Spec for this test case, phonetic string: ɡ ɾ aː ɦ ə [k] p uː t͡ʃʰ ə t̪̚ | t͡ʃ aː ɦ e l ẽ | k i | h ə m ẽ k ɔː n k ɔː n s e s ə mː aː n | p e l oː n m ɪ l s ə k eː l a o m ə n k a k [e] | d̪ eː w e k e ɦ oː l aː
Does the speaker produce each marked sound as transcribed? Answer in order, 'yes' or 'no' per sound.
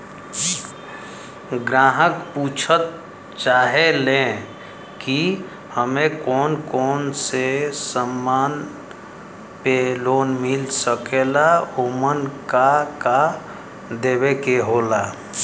yes, no

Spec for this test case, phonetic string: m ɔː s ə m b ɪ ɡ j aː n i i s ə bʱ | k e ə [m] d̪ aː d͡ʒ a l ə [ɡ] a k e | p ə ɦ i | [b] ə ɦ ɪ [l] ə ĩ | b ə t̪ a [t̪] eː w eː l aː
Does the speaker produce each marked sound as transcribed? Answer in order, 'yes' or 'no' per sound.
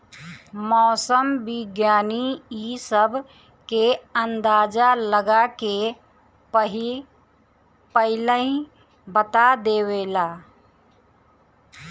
no, yes, no, yes, no

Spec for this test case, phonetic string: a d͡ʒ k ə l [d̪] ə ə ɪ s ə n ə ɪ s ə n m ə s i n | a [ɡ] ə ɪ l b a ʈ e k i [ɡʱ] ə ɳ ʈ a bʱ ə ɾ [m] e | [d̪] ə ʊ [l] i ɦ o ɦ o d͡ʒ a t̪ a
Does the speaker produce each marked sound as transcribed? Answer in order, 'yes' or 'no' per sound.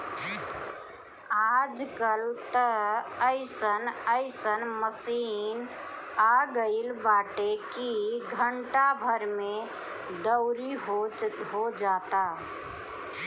no, yes, yes, yes, yes, no

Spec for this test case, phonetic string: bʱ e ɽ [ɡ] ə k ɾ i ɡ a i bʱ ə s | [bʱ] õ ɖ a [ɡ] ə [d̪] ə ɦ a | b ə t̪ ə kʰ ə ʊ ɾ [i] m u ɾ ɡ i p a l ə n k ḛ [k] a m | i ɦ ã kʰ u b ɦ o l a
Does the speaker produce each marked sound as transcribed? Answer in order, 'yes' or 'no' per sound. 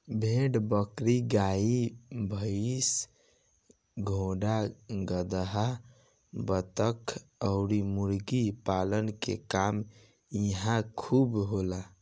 no, no, yes, yes, yes, yes

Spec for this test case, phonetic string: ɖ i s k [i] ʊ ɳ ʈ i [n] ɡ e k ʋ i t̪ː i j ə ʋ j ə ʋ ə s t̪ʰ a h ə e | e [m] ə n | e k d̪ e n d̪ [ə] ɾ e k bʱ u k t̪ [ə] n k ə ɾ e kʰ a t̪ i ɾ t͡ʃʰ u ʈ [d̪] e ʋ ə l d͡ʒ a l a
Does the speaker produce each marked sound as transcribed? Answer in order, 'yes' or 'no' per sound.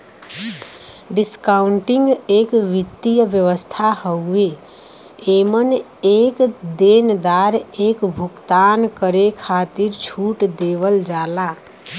no, no, yes, no, no, yes

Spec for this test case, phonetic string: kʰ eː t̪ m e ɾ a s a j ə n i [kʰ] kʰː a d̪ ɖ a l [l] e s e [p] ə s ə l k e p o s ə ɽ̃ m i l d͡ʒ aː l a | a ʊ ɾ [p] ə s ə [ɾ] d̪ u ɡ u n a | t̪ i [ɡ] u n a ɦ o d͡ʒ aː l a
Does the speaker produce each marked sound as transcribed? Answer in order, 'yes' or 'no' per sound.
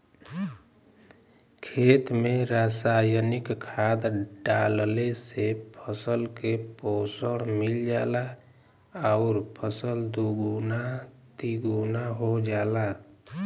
no, yes, no, no, no, yes

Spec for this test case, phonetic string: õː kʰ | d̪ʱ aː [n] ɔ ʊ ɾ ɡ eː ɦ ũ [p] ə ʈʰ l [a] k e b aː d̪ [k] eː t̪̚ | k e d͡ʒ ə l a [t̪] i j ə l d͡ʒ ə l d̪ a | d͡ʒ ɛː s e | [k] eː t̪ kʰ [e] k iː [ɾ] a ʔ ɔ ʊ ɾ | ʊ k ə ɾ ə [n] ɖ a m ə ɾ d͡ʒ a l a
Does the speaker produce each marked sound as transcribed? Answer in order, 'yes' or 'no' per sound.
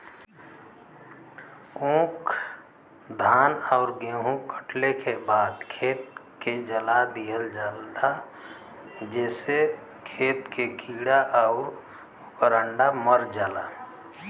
yes, no, no, no, no, no, yes, no, no

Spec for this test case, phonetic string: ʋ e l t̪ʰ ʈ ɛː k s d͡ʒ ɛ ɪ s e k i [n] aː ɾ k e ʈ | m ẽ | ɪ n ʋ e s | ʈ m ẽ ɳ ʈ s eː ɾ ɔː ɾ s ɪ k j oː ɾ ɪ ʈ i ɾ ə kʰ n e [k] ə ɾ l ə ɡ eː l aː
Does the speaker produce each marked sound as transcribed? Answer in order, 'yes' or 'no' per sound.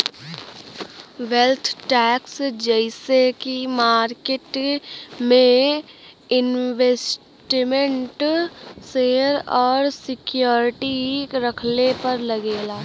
no, no

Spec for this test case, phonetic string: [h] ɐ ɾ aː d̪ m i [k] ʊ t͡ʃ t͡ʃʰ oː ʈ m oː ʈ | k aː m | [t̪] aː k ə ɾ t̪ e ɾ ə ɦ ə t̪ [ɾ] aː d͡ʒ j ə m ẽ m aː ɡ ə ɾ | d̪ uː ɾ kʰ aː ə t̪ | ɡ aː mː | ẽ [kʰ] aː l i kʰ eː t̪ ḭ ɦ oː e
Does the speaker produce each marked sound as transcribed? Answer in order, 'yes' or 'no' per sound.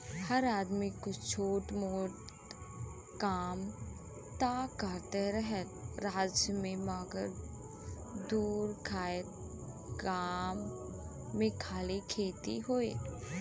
yes, yes, yes, yes, yes

